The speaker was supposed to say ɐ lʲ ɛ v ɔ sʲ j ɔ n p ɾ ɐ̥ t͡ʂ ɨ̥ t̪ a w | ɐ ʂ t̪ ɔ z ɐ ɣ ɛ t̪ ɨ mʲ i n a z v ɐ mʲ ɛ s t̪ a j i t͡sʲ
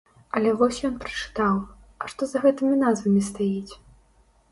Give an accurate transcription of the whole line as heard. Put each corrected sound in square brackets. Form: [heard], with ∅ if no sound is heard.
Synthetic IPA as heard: ɐ lʲ ɛ v ɔ sʲ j ɔ n p ɾ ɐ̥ t͡ʂ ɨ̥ t̪ a w | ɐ ʂ t̪ ɔ z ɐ ɣ ɛ t̪ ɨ mʲ i n a z v ɐ mʲ [i] s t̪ a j i t͡sʲ